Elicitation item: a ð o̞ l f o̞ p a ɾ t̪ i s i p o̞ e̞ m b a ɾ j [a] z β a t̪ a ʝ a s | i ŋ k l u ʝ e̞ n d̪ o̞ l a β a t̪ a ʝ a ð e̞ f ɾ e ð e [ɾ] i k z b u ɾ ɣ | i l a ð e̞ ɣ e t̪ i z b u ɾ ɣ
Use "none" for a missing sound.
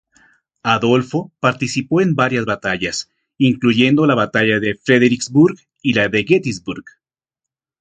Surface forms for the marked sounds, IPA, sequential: a, ɾ

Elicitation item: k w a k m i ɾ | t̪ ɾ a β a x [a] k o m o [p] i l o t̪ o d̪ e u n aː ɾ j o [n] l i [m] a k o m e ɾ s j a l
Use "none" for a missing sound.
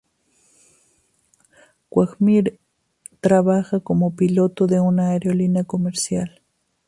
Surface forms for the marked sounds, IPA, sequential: a, p, none, n

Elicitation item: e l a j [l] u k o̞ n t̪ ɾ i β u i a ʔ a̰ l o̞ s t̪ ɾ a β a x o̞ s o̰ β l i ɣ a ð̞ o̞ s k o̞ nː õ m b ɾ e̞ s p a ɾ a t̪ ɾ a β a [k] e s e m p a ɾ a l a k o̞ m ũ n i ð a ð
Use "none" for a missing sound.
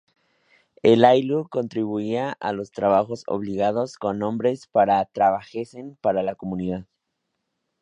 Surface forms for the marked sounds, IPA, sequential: l, x

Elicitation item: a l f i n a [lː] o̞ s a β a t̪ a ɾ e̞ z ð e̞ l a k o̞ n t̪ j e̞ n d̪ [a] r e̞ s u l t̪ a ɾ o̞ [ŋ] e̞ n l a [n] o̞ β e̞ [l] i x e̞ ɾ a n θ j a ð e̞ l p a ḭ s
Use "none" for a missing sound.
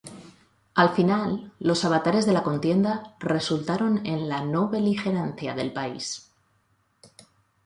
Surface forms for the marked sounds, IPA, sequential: lː, a, n, n, l

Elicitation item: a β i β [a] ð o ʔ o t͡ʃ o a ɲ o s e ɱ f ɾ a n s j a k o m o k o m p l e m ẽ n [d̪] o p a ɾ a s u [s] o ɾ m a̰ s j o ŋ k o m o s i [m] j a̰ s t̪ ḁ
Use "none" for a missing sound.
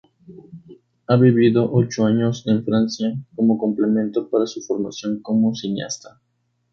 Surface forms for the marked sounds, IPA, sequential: i, t̪, f, n

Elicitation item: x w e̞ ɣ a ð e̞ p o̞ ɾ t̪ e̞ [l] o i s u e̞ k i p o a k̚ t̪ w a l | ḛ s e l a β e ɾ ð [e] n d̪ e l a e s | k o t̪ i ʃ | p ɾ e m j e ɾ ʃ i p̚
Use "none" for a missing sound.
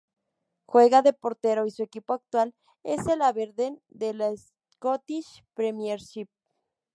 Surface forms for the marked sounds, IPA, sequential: ɾ, e

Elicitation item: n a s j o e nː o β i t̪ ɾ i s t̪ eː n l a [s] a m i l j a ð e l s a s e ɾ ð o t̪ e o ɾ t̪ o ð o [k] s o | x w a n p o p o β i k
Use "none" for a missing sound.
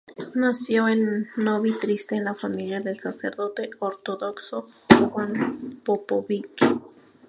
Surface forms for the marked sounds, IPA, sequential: f, k

